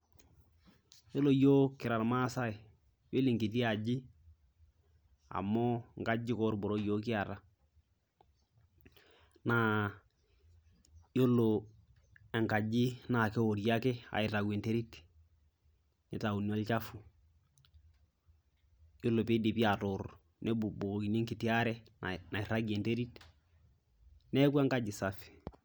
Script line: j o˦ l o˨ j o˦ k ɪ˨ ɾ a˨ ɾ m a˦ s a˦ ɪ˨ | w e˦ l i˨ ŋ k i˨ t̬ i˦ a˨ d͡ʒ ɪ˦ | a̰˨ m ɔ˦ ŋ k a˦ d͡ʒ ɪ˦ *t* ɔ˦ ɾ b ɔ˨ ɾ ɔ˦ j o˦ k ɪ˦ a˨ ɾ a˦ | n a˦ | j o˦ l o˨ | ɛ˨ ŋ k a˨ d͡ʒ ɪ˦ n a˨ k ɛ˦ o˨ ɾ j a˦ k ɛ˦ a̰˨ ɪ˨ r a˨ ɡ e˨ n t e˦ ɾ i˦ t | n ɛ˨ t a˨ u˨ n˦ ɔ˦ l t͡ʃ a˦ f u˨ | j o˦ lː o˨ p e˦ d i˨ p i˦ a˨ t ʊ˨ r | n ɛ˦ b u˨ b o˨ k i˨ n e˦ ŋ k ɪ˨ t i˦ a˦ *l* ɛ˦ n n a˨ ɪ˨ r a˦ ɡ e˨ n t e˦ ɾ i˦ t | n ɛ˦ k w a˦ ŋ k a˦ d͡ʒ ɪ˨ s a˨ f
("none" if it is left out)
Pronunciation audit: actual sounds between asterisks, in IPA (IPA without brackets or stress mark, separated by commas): k, ɾ